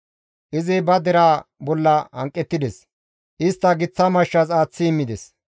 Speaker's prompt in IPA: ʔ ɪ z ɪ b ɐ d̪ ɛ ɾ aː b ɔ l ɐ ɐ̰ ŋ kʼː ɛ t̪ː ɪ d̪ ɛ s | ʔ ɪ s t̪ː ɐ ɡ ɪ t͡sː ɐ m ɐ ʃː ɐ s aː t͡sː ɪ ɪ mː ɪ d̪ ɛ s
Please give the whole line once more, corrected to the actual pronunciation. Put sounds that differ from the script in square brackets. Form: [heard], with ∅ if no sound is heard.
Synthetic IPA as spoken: ʔ ɪ z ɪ b ɐ d̪ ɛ ɾ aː b ɔ [lː] ɐ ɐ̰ ŋ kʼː ɛ t̪ː ɪ d̪ ɛ s | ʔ ɪ s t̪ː ɐ ɡ ɪ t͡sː ɐ m ɐ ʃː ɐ s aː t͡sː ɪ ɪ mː ɪ d̪ ɛ s